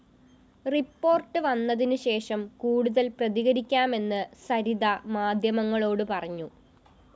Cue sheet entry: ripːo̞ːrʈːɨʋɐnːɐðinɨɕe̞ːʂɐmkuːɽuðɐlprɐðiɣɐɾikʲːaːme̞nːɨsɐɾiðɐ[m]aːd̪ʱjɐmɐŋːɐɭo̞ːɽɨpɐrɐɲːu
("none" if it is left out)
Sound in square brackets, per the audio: m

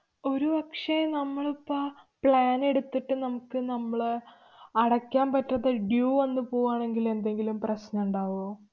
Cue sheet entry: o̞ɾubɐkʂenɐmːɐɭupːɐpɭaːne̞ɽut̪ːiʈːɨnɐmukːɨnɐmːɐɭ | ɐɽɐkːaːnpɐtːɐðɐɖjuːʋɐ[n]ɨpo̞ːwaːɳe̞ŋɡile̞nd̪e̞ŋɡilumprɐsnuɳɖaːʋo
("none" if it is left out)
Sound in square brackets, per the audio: nː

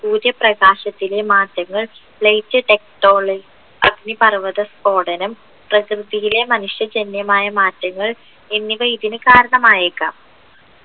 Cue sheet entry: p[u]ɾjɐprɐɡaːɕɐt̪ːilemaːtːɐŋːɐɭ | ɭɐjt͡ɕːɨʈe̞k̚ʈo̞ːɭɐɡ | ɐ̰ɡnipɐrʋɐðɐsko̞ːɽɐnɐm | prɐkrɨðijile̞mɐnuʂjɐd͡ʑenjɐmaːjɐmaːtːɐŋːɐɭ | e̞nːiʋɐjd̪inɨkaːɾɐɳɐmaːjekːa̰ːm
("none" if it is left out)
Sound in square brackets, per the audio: uː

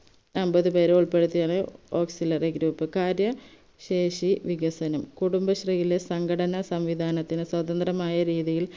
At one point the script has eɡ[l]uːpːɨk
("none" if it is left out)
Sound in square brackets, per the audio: ɾ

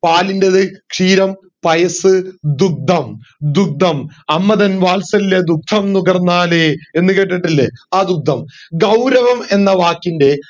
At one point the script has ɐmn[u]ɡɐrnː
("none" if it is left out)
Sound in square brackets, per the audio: u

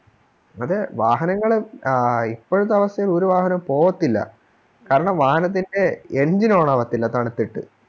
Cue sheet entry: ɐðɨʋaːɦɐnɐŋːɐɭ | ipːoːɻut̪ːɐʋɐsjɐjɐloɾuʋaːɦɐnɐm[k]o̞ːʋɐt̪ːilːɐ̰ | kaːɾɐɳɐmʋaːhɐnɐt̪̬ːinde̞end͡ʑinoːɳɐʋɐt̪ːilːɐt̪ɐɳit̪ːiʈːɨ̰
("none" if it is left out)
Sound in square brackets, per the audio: p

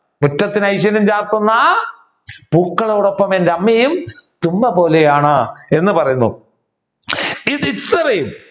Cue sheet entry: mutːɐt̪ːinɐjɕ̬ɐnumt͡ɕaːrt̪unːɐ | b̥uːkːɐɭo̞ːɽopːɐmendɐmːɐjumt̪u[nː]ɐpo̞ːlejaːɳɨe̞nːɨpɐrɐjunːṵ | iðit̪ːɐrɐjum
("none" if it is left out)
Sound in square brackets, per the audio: mː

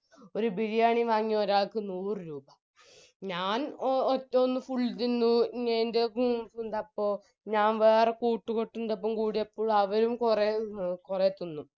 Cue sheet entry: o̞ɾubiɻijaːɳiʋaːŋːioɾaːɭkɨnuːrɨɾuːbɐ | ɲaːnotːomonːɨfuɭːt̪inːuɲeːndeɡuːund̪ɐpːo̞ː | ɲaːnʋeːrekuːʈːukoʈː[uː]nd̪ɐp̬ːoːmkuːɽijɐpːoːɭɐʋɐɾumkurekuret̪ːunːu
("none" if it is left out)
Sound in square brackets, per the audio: u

